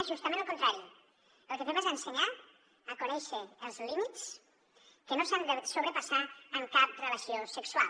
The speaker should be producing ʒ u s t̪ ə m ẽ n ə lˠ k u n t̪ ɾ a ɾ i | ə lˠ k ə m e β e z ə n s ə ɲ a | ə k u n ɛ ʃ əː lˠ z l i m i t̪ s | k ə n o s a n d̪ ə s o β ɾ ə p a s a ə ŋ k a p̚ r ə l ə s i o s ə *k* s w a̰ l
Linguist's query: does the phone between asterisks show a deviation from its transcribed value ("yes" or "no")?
no